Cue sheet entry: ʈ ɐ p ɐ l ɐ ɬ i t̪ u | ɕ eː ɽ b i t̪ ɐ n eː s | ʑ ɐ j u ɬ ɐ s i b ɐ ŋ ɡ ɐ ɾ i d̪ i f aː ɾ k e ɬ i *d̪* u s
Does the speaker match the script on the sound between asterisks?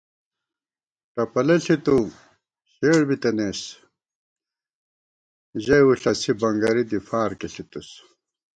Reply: no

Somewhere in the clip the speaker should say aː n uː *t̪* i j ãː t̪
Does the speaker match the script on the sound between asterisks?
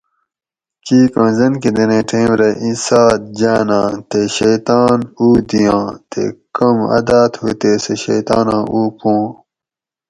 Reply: no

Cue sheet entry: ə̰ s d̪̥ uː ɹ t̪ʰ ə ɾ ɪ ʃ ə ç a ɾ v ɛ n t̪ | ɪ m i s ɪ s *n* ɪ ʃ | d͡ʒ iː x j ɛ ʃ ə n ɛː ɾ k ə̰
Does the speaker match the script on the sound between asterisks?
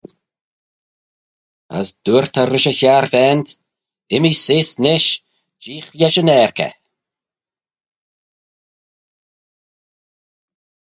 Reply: yes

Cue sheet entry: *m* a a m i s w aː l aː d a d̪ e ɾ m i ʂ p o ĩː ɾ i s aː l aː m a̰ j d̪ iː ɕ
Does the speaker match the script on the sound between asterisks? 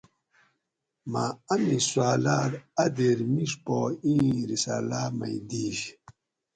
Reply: yes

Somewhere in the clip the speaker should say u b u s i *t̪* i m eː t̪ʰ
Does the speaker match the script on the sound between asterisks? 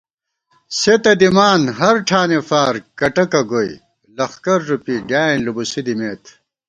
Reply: no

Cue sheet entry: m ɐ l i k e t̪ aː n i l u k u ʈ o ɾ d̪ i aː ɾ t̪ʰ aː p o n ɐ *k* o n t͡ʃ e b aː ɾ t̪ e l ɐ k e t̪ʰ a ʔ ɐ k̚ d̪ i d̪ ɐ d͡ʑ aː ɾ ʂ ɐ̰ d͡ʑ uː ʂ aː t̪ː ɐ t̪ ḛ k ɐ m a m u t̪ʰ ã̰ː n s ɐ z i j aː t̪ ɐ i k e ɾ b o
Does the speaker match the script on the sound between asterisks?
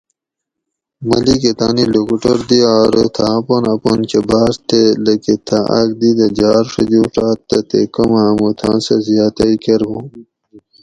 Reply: no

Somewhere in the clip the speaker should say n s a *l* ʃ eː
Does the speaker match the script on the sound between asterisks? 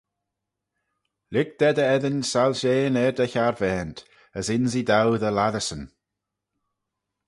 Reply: yes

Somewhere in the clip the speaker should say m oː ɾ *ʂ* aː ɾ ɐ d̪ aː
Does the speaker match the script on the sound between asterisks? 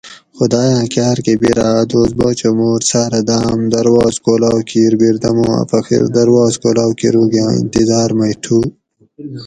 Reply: no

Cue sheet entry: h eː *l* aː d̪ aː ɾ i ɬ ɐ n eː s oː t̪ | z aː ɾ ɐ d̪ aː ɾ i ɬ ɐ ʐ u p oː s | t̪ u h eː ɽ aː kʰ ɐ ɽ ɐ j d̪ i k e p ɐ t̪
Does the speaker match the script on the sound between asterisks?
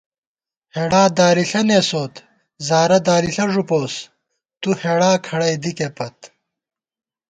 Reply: no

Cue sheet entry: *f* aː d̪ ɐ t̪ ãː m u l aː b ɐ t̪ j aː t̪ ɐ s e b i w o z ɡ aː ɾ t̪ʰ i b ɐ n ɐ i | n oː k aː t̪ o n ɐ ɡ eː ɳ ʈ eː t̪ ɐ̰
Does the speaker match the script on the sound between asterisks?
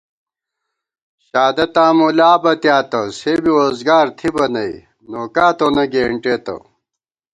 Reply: no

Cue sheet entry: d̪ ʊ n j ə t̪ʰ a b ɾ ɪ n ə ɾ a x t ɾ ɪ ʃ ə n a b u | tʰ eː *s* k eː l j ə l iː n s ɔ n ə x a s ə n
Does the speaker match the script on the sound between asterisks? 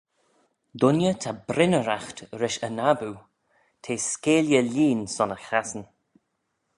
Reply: yes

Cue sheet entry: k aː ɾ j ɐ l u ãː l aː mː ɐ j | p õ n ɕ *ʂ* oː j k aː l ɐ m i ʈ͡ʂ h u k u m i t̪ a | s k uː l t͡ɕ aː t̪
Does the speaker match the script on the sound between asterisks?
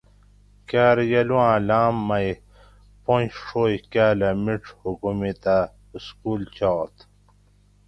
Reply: yes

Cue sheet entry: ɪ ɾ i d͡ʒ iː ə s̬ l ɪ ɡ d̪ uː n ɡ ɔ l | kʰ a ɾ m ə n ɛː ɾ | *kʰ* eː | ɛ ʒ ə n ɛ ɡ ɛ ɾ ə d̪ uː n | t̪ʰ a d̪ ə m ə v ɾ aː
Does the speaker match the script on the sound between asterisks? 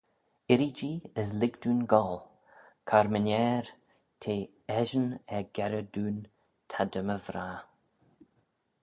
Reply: no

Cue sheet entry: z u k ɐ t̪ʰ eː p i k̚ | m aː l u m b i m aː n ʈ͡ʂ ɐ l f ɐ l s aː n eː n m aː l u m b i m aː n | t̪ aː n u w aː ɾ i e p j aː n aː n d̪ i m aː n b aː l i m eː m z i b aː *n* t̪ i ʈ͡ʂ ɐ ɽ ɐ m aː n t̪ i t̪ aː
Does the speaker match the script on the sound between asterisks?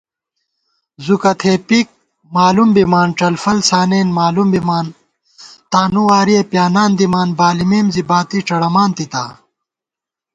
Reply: no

